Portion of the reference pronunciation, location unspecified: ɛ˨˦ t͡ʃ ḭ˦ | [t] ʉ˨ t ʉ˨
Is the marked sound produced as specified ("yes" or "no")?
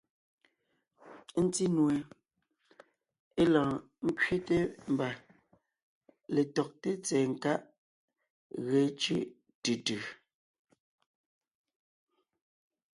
yes